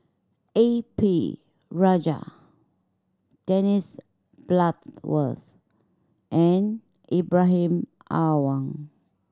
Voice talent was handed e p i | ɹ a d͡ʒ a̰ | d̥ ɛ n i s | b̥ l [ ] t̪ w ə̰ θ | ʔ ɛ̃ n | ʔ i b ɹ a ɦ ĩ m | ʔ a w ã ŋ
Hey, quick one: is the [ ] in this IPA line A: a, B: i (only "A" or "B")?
A